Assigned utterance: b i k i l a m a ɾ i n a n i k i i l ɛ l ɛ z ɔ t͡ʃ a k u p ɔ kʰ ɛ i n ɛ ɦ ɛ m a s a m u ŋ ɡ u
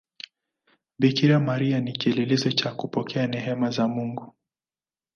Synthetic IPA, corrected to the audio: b i k i ɾ a m a ɾ i a n i k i ɛ l ɛ l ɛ z ɔ t͡ʃ a k u p ɔ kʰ ɛ a n ɛ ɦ ɛ m a z a m u ŋ ɡ u